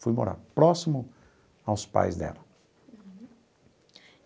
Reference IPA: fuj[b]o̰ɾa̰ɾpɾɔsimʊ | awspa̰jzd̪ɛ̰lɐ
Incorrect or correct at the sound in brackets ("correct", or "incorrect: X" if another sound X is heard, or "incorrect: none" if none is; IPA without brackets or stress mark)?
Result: incorrect: m